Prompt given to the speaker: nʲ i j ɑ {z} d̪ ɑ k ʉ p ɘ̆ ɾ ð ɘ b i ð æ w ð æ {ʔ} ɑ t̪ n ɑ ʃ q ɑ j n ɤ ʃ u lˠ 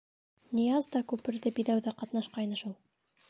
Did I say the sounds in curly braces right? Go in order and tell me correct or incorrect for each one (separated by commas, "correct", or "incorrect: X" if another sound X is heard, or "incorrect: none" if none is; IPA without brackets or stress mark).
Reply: correct, incorrect: q